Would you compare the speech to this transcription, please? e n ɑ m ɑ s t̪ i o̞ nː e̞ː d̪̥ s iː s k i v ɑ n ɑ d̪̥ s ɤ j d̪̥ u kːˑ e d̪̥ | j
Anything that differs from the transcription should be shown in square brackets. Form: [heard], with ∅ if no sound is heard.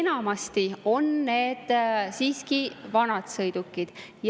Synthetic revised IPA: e n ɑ m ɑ s t̪ i o̞ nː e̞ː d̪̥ s iː s k i v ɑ n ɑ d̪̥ s ɤ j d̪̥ u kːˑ [i] d̪̥ | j